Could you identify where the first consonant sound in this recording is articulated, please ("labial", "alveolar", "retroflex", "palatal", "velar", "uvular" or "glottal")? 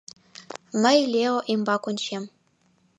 labial